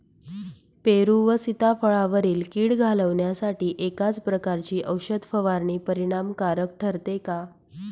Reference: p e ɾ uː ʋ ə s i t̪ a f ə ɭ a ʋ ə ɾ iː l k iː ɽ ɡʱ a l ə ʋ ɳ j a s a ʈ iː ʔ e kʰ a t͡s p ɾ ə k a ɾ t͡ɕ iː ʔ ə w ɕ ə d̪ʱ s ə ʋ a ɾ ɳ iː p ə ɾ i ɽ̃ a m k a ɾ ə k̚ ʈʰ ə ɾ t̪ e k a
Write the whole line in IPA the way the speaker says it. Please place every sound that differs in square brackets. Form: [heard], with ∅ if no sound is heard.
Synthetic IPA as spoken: p e ɾ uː ʋ ə s i t̪ a f ə ɭ a ʋ ə ɾ iː l k iː ɽ ɡʱ a l ə ʋ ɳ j a s a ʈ iː ʔ e [k] a t͡s p ɾ ə k a ɾ t͡ɕ iː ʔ ə w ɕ ə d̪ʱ [f] ə ʋ a ɾ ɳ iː p ə ɾ i ɽ̃ a m k a ɾ ə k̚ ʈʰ ə ɾ t̪ e k a

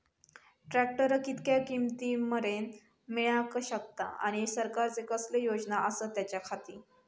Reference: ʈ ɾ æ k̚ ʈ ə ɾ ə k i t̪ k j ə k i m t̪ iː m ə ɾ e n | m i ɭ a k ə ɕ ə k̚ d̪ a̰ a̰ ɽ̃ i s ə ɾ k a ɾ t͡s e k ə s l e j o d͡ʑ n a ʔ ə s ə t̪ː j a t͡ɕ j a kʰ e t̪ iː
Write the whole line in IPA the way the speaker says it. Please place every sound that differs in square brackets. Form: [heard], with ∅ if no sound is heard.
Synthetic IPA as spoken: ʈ ɾ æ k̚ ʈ ə ɾ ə k i t̪ k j [a] k i m t̪ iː m ə ɾ e n | m i ɭ a k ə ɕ ə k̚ [t̪] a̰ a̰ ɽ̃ i s ə ɾ k a ɾ t͡s e k ə s l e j o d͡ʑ n a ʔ ə s ə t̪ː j a t͡ɕ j a kʰ [a] t̪ iː

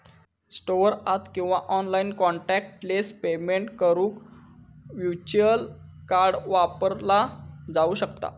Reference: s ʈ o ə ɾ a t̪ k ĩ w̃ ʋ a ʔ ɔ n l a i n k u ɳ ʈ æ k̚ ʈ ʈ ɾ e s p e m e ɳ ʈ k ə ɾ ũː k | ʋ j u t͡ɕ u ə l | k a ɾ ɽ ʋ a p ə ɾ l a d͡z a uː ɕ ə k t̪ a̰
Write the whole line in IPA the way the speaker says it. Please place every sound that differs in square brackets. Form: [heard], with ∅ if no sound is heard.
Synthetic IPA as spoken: s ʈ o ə ɾ a t̪ k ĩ w̃ ʋ a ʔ ɔ n l a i n k [ɔ] ɳ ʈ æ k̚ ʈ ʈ [l] e s p e m e ɳ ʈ k ə ɾ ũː k | ʋ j u t͡ɕ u ə l | k a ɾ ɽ ʋ a p ə ɾ l a d͡z a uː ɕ ə k t̪ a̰

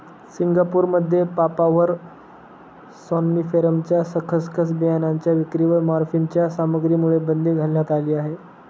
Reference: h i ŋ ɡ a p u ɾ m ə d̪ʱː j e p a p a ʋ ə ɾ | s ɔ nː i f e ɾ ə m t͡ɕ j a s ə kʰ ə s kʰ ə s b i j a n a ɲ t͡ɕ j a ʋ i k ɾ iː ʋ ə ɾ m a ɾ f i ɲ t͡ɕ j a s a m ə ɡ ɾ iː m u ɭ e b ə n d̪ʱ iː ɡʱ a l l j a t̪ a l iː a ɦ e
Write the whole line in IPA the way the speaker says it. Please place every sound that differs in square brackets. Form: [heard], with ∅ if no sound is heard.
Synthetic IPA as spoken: [s] i ŋ ɡ a p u ɾ m ə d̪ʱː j e p a p a ʋ ə ɾ | s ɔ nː i f e ɾ ə m t͡ɕ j a s ə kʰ ə s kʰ ə s b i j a n a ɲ t͡ɕ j a ʋ i k ɾ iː ʋ ə ɾ m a ɾ f i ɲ t͡ɕ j a s a m ə ɡ ɾ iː m u ɭ e b ə n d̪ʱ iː ɡʱ a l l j a t̪ a l iː a ɦ e

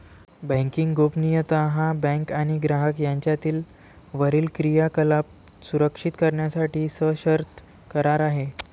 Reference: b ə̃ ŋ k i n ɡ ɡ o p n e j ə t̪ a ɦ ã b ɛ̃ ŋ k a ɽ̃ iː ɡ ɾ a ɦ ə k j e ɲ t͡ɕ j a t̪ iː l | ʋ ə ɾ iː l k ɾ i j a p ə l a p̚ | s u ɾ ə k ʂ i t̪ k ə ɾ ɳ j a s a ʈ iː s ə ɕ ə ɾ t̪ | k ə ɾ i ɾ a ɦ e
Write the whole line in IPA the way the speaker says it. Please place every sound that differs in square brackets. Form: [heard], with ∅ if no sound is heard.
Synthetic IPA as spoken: b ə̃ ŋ k i [ŋ] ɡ ɡ o p n [i] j ə t̪ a ɦ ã b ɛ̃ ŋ k a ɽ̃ [i] ɡ ɾ a ɦ ə k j [a] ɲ t͡ɕ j a t̪ iː l | ʋ ə ɾ iː l k ɾ i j a [k] ə l a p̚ | s u ɾ ə k ʂ i t̪ k ə ɾ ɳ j a s a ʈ iː s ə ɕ ə ɾ t̪ | k ə ɾ [a] ɾ a ɦ e

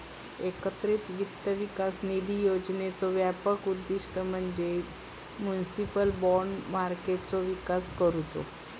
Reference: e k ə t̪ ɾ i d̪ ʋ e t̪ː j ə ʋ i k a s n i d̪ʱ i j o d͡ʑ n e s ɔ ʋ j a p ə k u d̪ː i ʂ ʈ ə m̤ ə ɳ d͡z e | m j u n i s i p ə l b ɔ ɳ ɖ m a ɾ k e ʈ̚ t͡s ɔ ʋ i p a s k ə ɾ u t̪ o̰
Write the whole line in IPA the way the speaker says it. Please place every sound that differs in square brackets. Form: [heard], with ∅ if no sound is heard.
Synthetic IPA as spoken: e k ə t̪ ɾ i [t̪] ʋ [i] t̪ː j ə ʋ i k a s n i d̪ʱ i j o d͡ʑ n e [t͡s] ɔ ʋ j a p ə k u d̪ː i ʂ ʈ ə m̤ ə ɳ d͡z e | m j u n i s i p ə l b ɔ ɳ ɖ m a ɾ k e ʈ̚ t͡s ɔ ʋ i [k] a s k ə ɾ u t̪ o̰

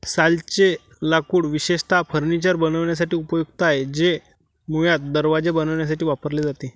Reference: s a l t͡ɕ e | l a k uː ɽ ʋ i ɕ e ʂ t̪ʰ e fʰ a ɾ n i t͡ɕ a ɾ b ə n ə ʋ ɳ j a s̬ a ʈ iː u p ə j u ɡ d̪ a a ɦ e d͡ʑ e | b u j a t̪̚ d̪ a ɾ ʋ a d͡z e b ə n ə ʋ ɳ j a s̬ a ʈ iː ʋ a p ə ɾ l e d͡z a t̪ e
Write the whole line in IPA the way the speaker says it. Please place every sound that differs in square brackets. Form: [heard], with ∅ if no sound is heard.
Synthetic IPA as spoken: s a l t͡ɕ e | l a k uː ɽ ʋ i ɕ e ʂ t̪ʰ [a] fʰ [ə] ɾ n i t͡ɕ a ɾ b ə n ə ʋ ɳ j a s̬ a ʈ iː u p ə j u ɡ [t̪] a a ɦ e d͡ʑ e | [m] u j a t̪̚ d̪ [ə] ɾ ʋ a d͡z e b ə n ə ʋ ɳ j a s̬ a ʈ iː ʋ a p ə ɾ l e d͡z a t̪ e

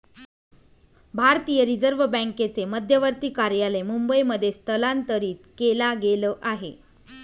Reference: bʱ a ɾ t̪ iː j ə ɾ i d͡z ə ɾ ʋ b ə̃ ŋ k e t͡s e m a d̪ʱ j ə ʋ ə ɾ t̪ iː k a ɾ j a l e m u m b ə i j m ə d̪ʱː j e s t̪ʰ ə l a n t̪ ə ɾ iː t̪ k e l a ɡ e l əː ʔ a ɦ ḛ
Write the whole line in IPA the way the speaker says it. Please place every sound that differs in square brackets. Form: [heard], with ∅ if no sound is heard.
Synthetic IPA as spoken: bʱ a ɾ t̪ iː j ə ɾ i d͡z ə ɾ ʋ b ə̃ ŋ k e t͡s e m [ə] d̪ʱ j ə ʋ ə ɾ t̪ iː k a ɾ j a l e m u m b ə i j m ə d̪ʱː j e s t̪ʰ ə l a n t̪ ə ɾ iː t̪ k e l a ɡ e l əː ʔ a ɦ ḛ

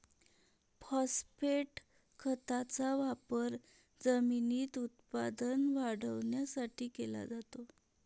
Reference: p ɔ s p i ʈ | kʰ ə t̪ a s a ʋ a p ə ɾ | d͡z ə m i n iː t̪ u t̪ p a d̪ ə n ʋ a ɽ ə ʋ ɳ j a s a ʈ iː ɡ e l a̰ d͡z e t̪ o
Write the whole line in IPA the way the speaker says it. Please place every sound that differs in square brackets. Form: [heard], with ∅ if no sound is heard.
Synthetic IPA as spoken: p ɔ s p [e] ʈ | kʰ ə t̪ a [t͡s] a ʋ a p ə ɾ | d͡z ə m i n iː t̪ u t̪ p a d̪ ə n ʋ a ɽ ə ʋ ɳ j a s a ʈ iː [k] e l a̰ d͡z [a] t̪ o

